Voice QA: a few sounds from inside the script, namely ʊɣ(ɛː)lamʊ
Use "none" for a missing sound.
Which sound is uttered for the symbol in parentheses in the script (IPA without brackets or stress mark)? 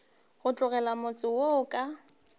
ɛ